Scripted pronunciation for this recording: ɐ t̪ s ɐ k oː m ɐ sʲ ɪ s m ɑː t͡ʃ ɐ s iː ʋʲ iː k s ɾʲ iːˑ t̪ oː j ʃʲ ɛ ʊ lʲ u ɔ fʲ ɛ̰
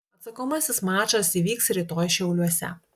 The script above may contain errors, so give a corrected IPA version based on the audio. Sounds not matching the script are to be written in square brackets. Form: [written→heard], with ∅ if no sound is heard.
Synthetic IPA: ɐ t̪ s ɐ k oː m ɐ sʲ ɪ s m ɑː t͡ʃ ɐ s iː ʋʲ iː k s ɾʲ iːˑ t̪ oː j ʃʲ ɛ ʊ lʲ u ɔ [fʲ→sʲ] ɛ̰